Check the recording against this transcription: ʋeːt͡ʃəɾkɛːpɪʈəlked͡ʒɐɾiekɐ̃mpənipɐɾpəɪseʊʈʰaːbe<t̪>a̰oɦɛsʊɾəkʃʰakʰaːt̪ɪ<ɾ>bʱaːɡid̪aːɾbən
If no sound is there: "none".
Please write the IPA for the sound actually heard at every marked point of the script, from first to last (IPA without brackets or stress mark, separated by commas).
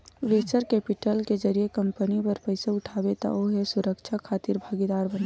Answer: t̪, ɾ